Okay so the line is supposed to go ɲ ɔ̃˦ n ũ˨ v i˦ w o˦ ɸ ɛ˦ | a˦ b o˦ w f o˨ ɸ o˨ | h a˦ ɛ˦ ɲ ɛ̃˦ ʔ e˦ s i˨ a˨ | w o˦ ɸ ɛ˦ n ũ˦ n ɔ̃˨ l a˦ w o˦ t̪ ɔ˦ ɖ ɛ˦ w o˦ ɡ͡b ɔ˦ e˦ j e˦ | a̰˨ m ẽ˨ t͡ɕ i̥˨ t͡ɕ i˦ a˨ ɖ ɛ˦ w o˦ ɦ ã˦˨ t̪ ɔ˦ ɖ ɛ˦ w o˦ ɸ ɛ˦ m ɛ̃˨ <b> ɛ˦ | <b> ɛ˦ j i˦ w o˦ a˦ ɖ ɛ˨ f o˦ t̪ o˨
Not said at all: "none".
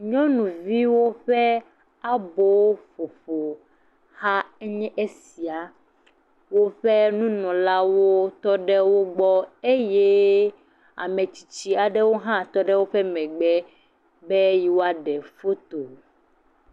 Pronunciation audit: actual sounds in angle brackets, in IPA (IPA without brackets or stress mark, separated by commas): ɡ͡b, b